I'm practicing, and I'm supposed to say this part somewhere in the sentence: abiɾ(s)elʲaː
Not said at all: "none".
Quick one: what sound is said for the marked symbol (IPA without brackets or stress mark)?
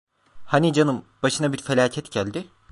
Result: f